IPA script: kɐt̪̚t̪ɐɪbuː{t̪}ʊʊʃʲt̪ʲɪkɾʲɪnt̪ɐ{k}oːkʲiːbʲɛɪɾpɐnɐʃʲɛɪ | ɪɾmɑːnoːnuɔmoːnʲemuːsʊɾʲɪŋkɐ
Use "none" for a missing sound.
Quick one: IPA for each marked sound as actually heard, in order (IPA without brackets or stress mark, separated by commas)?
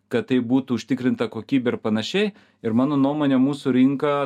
t̪, k